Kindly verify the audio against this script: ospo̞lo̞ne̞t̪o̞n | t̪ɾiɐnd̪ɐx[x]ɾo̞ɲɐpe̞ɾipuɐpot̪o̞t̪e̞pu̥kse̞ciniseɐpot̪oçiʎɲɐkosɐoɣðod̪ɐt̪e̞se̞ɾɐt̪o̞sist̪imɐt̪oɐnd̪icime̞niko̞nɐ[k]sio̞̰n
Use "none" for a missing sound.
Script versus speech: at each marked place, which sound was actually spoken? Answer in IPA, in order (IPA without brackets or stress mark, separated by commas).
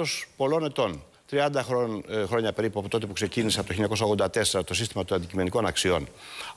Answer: x, k